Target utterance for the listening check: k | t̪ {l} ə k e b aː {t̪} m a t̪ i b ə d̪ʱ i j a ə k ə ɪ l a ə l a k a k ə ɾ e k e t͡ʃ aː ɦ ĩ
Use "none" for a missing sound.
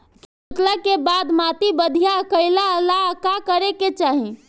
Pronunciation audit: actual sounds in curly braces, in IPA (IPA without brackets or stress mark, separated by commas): l, d̪